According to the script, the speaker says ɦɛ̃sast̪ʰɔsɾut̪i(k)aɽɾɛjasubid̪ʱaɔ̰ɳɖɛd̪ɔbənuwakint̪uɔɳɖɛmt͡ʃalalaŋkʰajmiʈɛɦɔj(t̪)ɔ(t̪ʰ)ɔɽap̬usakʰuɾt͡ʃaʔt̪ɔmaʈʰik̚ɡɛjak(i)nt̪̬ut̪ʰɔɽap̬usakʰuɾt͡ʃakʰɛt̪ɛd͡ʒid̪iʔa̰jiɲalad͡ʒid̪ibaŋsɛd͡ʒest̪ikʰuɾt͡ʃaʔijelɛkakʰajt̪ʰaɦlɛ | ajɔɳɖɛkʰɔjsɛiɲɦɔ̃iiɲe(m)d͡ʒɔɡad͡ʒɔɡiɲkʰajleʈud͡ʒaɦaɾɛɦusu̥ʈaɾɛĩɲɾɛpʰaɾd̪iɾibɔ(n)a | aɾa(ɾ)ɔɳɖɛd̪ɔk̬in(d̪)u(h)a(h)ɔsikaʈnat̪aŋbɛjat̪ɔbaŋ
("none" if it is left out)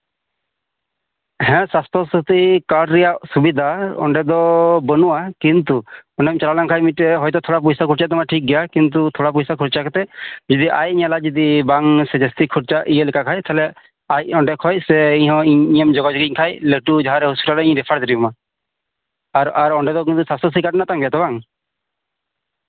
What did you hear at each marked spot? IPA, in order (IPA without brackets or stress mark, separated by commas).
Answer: k, t̪, t̪ʰ, i, m, m, ɾ, t̪, s, s